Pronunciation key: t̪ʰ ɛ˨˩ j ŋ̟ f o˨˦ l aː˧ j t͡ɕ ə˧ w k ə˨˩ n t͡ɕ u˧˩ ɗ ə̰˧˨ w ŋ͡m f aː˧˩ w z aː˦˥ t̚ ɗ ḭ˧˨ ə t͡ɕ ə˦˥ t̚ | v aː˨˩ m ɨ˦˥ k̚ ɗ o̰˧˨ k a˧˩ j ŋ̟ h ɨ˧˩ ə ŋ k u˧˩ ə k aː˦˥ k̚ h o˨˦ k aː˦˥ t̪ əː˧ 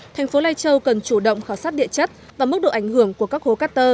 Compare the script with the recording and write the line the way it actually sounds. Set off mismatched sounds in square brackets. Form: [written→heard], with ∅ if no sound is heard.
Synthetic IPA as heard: t̪ʰ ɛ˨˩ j ŋ̟ f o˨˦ l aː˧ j t͡ɕ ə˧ w k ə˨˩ n t͡ɕ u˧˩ ɗ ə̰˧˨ w ŋ͡m [f→x] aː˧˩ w [z→s] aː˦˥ t̚ ɗ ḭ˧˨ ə t͡ɕ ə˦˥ t̚ | v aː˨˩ m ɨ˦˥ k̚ ɗ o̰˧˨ [k→ʔ] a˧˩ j ŋ̟ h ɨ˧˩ ə ŋ k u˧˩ ə k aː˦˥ k̚ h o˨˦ k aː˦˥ t̪ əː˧